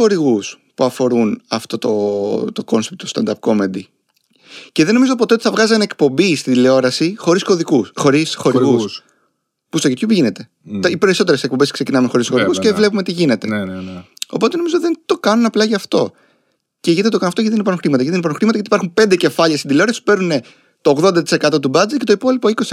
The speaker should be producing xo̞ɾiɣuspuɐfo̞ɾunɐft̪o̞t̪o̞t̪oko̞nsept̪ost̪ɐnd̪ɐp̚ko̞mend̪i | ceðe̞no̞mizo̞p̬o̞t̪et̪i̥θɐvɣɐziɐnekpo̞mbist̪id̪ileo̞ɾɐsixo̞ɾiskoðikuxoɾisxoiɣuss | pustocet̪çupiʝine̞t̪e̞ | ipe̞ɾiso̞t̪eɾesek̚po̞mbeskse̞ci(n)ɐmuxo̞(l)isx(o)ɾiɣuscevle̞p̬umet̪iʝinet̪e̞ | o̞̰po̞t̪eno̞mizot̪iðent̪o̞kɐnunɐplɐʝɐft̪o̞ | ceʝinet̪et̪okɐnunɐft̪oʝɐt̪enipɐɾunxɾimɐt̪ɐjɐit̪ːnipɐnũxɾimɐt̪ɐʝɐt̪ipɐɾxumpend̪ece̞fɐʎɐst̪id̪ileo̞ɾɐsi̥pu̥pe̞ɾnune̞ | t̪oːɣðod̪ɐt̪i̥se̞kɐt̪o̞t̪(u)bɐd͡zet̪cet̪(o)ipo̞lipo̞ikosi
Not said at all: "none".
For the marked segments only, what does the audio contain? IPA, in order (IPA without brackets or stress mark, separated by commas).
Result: n, ɾ, o, u, o